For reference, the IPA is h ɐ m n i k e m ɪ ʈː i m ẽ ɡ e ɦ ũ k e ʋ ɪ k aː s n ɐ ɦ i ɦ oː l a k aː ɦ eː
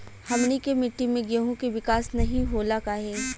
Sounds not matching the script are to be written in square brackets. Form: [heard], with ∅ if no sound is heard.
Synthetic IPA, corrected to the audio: h ɐ m n i k e m ɪ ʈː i m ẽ ɡ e ɦ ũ k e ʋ ɪ k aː s n ɐ ɦ [ĩ] ɦ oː l a k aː ɦ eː